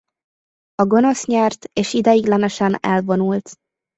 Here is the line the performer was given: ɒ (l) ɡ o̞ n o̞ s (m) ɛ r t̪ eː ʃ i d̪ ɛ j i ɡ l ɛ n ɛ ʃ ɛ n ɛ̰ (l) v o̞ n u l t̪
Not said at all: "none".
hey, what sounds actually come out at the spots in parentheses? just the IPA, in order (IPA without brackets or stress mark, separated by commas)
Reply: none, ɲ, l